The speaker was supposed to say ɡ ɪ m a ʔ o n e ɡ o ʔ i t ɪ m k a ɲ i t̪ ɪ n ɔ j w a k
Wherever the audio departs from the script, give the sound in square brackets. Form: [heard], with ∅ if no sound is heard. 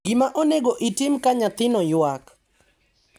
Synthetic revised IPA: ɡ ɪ m a ʔ o n e ɡ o ʔ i t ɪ m k a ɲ [a] t̪ ɪ n ɔ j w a k